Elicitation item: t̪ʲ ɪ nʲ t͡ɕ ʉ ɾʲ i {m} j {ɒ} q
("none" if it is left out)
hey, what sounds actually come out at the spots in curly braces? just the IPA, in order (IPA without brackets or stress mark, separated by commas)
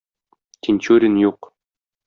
n, u